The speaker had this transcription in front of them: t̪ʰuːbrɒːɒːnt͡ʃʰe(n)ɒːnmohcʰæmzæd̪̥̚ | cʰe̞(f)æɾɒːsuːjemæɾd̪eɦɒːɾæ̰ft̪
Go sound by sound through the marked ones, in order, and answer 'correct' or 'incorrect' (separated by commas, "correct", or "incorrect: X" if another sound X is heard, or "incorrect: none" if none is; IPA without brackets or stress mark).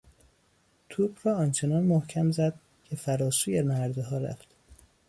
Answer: correct, correct